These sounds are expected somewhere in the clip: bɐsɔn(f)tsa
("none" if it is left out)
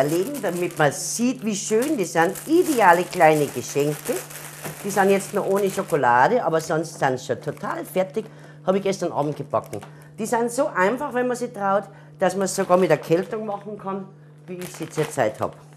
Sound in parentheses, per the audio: s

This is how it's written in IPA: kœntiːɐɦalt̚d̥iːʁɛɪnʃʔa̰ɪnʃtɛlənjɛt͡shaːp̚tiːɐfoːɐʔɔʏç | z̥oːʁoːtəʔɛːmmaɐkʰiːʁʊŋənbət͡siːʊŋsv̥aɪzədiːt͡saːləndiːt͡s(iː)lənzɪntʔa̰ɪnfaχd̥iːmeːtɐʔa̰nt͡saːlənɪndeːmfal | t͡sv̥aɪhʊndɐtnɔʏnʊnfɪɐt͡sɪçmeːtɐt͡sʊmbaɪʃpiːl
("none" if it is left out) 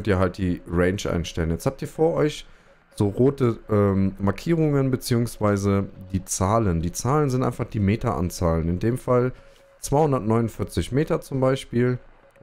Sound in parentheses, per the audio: aː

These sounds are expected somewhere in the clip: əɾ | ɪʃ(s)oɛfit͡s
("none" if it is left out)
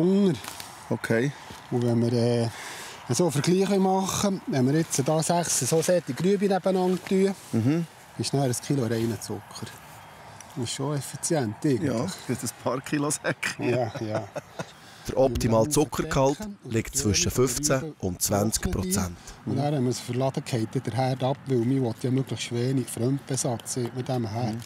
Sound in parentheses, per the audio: ʃ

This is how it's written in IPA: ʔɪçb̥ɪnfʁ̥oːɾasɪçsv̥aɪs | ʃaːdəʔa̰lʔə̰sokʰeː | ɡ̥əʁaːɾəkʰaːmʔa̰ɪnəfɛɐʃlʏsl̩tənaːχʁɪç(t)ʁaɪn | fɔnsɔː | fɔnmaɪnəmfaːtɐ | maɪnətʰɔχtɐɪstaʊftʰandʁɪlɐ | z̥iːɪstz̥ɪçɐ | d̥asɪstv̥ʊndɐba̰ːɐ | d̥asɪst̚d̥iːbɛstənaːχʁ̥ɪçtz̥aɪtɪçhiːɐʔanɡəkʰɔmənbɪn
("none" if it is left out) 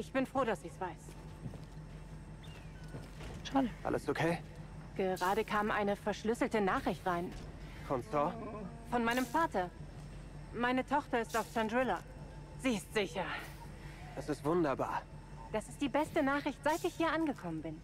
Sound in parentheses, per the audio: t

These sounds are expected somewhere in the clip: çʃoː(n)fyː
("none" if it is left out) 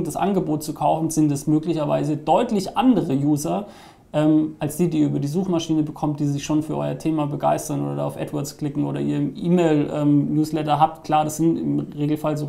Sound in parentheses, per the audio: n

